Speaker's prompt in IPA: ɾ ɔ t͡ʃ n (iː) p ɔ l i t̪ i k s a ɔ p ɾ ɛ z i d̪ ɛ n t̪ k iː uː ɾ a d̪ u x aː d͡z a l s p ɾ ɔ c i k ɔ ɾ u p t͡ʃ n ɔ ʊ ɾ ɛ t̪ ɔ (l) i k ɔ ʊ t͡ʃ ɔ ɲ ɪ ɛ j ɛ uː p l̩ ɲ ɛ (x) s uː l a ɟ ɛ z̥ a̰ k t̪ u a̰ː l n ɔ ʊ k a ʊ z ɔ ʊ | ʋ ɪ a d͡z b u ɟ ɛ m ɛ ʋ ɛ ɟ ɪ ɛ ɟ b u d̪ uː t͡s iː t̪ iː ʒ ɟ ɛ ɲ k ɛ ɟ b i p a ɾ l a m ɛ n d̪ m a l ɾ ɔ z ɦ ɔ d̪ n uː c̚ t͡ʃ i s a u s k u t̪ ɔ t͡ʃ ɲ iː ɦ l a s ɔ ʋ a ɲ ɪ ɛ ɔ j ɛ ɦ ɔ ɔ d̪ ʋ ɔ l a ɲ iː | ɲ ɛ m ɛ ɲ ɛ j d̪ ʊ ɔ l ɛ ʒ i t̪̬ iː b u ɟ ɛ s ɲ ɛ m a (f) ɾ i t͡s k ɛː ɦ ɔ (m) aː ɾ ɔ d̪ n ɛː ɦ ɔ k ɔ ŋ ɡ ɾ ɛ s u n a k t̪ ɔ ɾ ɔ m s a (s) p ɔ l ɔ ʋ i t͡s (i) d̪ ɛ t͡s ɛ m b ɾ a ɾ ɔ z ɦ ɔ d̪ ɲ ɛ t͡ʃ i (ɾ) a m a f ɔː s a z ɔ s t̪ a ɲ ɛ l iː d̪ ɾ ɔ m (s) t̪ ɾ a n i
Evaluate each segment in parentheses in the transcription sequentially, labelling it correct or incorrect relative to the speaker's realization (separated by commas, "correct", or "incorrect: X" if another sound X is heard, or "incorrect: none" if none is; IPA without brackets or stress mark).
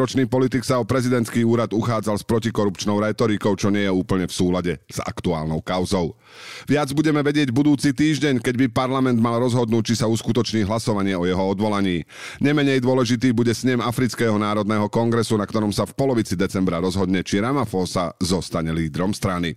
correct, incorrect: ɾ, incorrect: f, correct, incorrect: n, incorrect: f, correct, correct, correct